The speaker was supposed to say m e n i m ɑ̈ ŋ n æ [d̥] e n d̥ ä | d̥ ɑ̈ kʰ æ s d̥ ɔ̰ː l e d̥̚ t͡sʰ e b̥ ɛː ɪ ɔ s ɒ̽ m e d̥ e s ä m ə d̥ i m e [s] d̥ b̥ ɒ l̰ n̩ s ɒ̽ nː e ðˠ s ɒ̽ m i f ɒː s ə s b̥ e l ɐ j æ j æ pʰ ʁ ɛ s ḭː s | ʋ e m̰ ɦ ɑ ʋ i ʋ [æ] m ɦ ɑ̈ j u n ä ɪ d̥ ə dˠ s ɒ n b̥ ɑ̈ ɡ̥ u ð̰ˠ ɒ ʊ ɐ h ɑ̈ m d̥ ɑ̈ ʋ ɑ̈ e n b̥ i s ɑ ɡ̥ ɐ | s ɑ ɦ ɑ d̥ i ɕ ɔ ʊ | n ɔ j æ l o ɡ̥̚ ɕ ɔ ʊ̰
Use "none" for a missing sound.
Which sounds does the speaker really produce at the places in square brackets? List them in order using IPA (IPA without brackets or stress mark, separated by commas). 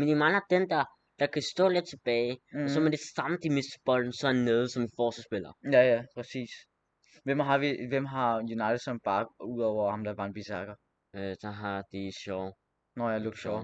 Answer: d̥, s, e